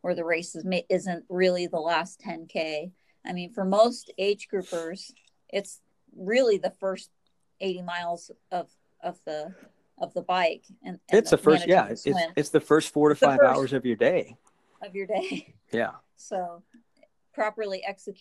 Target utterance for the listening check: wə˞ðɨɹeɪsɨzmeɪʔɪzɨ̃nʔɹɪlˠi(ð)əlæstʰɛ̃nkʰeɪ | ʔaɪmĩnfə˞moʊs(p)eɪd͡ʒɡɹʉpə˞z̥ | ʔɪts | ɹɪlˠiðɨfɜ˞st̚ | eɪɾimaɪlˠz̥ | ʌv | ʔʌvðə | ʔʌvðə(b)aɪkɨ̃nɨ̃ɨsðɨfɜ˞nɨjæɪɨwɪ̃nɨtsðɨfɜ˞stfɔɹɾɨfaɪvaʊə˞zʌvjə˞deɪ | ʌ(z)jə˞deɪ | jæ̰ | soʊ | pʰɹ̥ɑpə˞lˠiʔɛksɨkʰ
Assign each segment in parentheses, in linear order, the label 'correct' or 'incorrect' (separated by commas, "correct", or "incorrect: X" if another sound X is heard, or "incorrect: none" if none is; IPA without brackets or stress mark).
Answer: correct, incorrect: t, correct, incorrect: v